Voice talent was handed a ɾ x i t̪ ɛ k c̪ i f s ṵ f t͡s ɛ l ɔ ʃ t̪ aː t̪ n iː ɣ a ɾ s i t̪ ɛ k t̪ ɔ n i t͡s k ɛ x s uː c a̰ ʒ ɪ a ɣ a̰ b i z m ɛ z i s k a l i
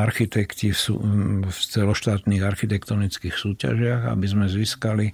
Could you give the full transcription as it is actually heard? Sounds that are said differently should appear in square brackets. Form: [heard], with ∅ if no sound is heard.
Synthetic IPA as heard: a ɾ x i t̪ ɛ k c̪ i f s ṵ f t͡s ɛ l ɔ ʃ t̪ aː t̪ n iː ɣ a ɾ [x] i t̪ ɛ k t̪ ɔ n i t͡s k [i] x s uː c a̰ ʒ ɪ a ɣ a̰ b i z m ɛ z i s k a l i